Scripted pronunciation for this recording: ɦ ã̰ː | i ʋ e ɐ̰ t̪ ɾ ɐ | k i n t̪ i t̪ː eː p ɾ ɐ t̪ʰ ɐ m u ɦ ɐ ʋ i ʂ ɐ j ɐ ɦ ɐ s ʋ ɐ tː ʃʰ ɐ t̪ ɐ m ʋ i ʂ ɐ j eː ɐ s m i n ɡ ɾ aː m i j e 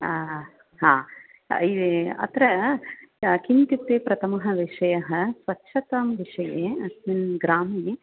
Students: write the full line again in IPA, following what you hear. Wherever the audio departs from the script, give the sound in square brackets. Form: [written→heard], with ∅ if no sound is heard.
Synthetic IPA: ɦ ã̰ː | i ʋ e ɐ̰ t̪ ɾ ɐ | k i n t̪ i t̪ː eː p ɾ ɐ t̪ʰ ɐ m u ɦ ɐ ʋ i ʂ ɐ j ɐ ɦ ɐ s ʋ ɐ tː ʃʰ ɐ t̪ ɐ m ʋ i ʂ ɐ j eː ɐ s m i n ɡ ɾ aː m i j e